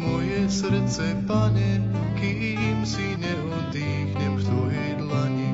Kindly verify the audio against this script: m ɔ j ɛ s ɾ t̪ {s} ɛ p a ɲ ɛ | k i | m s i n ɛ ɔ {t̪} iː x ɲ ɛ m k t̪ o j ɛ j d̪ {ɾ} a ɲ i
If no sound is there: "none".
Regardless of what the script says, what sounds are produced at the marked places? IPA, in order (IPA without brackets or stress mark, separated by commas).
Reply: s, d̪, l